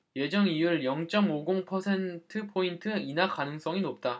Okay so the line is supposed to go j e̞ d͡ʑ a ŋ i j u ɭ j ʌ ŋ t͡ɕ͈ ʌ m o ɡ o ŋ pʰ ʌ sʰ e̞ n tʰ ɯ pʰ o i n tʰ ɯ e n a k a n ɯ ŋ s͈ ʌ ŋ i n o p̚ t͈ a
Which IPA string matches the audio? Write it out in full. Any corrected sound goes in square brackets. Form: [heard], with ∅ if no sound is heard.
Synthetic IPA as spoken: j e̞ d͡ʑ [ʌ] ŋ i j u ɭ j ʌ ŋ t͡ɕ͈ ʌ m o ɡ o ŋ pʰ ʌ sʰ e̞ n tʰ ɯ pʰ o i n tʰ ɯ [i] n a k a n ɯ ŋ s͈ ʌ ŋ i n o p̚ t͈ a